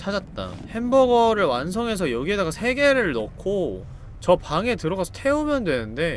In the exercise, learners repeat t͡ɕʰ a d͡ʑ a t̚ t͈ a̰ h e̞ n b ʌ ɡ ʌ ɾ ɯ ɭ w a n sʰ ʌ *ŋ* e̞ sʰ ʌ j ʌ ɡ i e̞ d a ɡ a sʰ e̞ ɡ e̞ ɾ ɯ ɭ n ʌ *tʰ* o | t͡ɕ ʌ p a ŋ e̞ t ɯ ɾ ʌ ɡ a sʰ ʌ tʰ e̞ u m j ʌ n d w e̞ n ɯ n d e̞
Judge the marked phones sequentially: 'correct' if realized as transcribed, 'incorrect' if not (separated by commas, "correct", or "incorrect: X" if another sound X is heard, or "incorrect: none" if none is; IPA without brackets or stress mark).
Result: correct, incorrect: kʰ